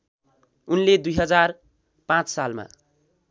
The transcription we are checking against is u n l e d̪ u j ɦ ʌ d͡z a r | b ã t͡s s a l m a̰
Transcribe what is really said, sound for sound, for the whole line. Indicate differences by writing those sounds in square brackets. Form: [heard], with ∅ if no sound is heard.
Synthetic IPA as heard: u n l e d̪ u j ɦ ʌ d͡z a r | [p] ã t͡s s a l m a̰

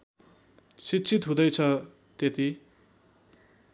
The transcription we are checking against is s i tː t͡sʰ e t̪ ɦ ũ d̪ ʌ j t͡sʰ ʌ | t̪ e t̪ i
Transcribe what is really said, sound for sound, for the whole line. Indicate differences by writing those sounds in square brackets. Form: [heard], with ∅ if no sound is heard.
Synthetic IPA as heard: s i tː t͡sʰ [i] t̪ ɦ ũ d̪ ʌ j t͡sʰ ʌ | t̪ e t̪ i

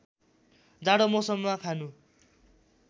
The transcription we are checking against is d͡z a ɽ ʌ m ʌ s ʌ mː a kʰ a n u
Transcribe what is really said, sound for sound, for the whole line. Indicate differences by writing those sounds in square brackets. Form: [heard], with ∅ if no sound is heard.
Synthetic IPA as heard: d͡z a ɽ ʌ m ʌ s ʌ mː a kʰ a n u

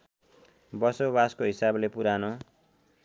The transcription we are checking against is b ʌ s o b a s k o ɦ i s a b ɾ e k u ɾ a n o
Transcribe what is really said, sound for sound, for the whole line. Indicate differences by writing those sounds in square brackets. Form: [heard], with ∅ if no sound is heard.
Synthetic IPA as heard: b ʌ s o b a s k o ɦ i s a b [l] e [p] u ɾ a n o

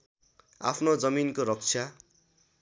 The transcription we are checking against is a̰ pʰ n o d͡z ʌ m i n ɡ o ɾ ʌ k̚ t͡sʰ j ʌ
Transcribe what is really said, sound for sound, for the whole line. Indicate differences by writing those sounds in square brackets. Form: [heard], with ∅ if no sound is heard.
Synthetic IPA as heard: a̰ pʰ n o d͡z ʌ m i n [k] o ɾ ʌ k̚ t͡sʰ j [a]

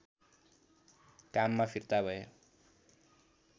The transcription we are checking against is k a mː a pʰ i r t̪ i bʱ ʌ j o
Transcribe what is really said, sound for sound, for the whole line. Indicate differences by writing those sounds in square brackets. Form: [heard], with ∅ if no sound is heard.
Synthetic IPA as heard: k a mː a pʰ i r t̪ [a] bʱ ʌ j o

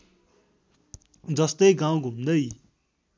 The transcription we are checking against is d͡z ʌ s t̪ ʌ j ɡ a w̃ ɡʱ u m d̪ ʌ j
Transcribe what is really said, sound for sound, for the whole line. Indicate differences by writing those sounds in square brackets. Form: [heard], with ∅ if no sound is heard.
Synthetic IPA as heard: d͡z ʌ s t̪ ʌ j ɡ a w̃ ɡʱ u m d̪ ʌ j

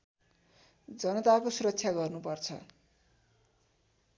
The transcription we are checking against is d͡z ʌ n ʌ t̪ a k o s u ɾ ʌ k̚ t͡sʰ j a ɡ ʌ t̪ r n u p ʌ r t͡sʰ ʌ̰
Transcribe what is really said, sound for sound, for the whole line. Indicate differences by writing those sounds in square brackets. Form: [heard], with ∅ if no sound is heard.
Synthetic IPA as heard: d͡z ʌ n ʌ t̪ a k o s u ɾ ʌ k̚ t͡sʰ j a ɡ ʌ [∅] r n u p ʌ r t͡sʰ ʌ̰

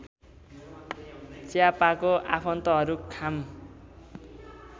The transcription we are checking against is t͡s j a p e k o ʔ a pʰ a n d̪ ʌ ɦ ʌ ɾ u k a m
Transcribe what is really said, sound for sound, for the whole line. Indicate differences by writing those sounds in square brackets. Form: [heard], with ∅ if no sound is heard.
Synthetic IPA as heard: t͡s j a p [a] k o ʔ a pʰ [ʌ] n [t̪] ʌ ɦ ʌ ɾ u [kʰ] a m

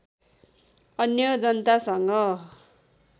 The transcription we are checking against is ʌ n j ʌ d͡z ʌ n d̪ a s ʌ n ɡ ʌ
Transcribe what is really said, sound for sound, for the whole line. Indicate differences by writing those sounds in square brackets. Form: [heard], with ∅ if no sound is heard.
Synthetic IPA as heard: ʌ n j ʌ d͡z ʌ n [t̪] a s ʌ [ŋ] ɡ ʌ

